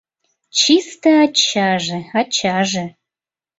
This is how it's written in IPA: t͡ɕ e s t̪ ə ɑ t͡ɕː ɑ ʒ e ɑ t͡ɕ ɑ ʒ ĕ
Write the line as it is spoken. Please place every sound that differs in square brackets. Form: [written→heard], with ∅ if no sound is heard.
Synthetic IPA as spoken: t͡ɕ [e→i] s t̪ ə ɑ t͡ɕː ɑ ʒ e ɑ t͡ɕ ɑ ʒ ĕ